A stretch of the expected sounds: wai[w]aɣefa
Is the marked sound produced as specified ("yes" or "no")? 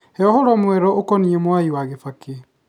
yes